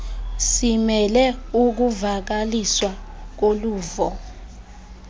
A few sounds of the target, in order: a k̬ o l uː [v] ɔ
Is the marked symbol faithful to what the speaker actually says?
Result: yes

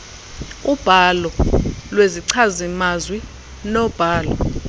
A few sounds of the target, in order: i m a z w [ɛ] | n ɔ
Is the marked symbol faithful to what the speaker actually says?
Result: no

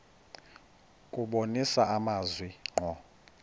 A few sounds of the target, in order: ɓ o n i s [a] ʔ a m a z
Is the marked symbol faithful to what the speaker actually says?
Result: yes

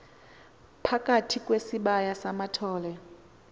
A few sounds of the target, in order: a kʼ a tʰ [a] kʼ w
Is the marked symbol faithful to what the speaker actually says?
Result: no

